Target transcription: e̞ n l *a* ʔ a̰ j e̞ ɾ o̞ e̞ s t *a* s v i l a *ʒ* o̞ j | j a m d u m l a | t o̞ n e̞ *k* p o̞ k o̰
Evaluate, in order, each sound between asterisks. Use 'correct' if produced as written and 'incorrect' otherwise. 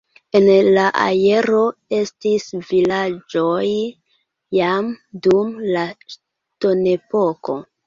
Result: correct, incorrect: i, incorrect: d͡ʒ, incorrect: none

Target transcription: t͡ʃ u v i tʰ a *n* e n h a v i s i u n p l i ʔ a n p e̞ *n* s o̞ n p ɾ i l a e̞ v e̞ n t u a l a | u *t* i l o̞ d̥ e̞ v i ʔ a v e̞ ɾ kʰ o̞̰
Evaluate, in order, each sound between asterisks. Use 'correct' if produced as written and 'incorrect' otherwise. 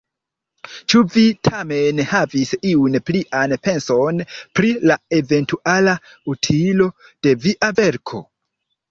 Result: incorrect: m, correct, incorrect: tʰ

